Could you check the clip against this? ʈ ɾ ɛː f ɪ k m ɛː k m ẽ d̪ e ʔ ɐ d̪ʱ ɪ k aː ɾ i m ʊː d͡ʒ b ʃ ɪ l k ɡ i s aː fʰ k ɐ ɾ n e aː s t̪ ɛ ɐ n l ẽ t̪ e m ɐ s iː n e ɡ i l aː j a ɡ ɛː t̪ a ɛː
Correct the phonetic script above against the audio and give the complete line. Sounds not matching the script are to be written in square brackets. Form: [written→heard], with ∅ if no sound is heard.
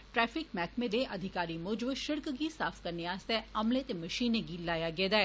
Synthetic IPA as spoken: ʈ ɾ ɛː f ɪ k m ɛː k m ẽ d̪ e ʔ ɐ d̪ʱ ɪ k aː ɾ i m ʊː d͡ʒ b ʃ ɪ [l→ɾ] k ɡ i s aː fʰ k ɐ ɾ n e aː s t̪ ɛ ɐ [n→m] l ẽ t̪ e m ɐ [s→ʃ] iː n e ɡ i l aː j a ɡ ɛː [t̪→d̪] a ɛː